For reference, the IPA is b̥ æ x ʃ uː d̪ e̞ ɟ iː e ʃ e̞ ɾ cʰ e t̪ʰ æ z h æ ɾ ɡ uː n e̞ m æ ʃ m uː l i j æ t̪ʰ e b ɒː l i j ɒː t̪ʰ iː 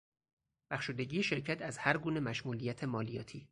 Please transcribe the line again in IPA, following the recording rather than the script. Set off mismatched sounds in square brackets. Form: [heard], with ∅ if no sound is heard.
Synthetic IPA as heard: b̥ æ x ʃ uː d̪ e̞ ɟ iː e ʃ e̞ ɾ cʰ [æ] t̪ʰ æ z h æ ɾ ɡ uː n e̞ m æ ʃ m uː l i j æ t̪ʰ e [m] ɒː l i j ɒː t̪ʰ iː